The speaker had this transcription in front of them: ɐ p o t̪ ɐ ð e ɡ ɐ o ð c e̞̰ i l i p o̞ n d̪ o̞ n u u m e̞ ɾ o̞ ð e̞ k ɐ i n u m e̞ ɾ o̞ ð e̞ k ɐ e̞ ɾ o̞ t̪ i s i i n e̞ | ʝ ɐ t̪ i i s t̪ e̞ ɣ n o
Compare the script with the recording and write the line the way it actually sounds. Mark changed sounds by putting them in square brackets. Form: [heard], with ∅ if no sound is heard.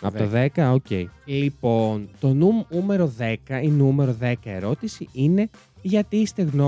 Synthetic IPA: ɐ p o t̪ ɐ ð e [k] ɐ o [∅] c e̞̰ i l i p o̞ n [t̪] o̞ n u u m e̞ ɾ o̞ ð e̞ k ɐ i n u m e̞ ɾ o̞ ð e̞ k ɐ e̞ ɾ o̞ t̪ i s i i n e̞ | ʝ ɐ t̪ i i s t̪ e̞ ɣ n o